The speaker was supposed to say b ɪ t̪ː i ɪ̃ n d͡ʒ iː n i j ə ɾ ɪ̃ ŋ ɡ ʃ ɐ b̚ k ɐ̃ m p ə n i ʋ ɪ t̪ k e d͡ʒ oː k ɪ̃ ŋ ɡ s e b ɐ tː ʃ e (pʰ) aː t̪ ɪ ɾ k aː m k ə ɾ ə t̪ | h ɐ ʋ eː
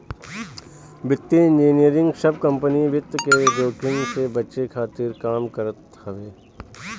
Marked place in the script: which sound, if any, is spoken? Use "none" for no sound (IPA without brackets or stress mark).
kʰ